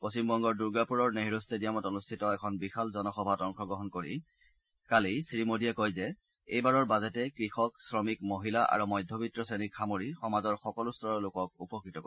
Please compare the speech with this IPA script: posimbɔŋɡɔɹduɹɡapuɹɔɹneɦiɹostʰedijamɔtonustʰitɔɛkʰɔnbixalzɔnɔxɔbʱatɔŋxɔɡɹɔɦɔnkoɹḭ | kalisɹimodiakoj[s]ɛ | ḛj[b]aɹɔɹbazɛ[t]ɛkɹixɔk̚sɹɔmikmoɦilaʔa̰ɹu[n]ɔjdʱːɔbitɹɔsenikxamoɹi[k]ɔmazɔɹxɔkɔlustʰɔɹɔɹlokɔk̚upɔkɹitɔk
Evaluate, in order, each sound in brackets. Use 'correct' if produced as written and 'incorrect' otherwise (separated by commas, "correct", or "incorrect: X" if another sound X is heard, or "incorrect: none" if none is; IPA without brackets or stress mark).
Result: incorrect: z, correct, correct, incorrect: m, incorrect: x